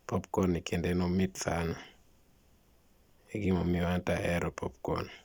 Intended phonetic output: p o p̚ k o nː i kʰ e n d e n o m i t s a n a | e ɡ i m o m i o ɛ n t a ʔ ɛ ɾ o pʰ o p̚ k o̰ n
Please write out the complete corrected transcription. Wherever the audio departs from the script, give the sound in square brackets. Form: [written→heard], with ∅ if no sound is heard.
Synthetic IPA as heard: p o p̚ k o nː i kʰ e n d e n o m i t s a n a | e ɡ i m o m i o [ɛ→a] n t a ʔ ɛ ɾ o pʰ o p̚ k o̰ n